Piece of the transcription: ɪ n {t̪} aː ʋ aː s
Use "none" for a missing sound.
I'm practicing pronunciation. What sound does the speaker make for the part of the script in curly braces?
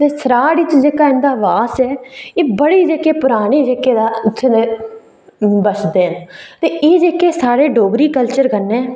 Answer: d̪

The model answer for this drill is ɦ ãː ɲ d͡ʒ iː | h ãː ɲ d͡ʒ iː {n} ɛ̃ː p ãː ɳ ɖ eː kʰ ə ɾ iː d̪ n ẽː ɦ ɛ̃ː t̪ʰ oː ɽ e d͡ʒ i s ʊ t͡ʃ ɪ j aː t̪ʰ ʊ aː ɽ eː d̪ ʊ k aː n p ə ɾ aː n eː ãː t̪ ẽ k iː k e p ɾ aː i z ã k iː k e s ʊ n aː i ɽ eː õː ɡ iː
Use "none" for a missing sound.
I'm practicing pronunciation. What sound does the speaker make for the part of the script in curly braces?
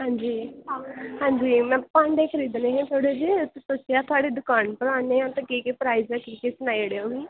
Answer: m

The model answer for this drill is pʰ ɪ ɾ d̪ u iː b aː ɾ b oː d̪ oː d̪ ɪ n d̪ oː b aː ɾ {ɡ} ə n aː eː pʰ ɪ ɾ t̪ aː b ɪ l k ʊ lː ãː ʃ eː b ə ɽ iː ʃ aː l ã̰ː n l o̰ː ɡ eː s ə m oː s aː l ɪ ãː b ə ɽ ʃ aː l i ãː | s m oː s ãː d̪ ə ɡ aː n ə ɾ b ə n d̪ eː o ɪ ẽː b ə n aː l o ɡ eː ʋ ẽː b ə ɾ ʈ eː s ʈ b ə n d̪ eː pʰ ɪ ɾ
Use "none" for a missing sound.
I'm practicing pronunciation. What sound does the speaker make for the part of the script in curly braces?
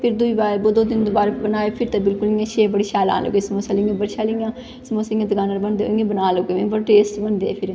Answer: b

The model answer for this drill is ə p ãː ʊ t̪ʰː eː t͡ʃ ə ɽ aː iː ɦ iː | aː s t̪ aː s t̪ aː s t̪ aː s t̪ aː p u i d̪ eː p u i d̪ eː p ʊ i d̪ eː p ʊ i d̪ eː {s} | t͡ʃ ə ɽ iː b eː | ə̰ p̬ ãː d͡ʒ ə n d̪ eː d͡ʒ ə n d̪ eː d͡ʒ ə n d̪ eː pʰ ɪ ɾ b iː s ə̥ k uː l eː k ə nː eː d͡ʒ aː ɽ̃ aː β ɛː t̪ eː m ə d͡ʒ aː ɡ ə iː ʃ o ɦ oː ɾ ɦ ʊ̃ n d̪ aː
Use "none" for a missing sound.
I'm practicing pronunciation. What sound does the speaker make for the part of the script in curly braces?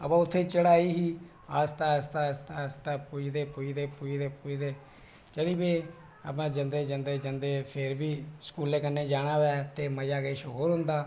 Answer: none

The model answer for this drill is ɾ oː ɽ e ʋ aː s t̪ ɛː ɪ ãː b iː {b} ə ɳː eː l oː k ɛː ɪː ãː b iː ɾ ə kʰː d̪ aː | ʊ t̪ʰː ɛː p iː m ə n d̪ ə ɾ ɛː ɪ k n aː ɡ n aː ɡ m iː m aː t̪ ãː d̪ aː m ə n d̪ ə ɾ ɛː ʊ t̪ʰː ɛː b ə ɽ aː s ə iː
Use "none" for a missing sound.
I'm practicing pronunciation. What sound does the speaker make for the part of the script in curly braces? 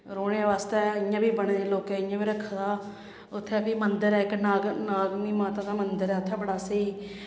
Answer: b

